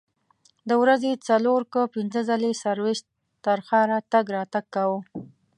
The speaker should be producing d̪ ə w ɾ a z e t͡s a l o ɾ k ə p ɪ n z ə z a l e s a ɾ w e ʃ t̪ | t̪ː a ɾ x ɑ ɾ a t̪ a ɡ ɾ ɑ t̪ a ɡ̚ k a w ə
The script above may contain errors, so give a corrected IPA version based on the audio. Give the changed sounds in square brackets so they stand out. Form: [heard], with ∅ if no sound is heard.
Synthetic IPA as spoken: d̪ ə w ɾ a z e t͡s a l o ɾ k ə p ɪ n z ə z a l e s a ɾ w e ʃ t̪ | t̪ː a ɾ x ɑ ɾ a t̪ a ɡ ɾ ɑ t̪ a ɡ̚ k a w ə